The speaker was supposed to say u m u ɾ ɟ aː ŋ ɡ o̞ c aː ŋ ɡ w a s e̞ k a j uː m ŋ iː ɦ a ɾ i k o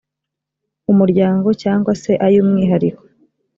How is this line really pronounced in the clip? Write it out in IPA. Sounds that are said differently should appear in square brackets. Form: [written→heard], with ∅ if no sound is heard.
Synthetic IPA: u m u ɾ ɟ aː ŋ ɡ o̞ c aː ŋ ɡ w a s e̞ [k→ʔ] a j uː m ŋ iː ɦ a ɾ i k o